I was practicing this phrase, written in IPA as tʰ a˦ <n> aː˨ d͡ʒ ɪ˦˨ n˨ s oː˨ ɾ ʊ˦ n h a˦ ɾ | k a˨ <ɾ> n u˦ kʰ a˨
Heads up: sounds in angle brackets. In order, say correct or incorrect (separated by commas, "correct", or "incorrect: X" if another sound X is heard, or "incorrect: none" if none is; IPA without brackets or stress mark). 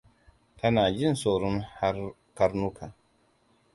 correct, correct